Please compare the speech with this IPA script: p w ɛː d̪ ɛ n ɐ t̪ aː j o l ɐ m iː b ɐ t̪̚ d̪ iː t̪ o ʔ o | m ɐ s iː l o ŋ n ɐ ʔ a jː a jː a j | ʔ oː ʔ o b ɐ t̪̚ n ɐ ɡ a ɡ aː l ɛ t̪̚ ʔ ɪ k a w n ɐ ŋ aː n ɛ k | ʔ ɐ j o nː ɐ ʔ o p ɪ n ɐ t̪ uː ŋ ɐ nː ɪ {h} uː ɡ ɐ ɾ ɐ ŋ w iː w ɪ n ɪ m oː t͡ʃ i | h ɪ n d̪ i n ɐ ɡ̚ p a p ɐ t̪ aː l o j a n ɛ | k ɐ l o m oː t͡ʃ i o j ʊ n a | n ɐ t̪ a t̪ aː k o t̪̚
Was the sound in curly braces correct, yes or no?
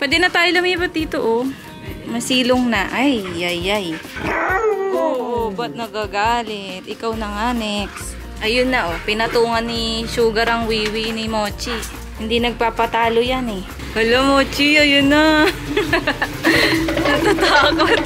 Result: no